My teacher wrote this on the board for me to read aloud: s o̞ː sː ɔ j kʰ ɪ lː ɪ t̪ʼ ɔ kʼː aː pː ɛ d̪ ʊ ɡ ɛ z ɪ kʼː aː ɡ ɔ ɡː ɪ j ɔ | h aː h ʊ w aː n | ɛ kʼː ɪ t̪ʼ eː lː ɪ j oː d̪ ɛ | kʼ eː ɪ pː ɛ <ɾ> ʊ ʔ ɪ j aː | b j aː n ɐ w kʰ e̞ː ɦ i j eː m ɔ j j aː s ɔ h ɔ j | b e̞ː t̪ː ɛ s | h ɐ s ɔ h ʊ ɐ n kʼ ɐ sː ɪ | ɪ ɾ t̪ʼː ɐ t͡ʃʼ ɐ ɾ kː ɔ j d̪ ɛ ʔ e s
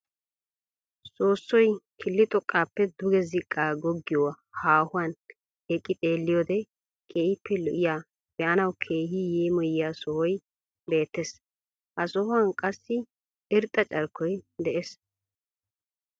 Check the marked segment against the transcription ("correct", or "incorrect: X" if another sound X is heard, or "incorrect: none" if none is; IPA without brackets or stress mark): incorrect: l